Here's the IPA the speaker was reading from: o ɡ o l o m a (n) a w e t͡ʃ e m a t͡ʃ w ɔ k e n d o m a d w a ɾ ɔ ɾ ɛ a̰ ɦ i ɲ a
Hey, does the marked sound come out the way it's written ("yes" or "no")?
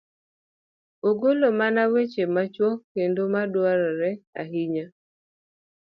yes